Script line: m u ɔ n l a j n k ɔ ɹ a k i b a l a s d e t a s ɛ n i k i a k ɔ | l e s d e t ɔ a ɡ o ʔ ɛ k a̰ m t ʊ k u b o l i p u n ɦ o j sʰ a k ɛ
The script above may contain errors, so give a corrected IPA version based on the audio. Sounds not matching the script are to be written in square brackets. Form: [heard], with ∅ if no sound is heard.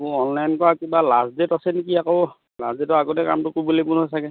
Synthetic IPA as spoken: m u ɔ n l a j n k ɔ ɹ a k i b a l a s d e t a s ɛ n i k i a k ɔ | l [a] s d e t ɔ a ɡ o [t] ɛ k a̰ m t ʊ k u b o l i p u n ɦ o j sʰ a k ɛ